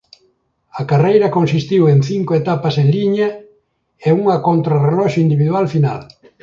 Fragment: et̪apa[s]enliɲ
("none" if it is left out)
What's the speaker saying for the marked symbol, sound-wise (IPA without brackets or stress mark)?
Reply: s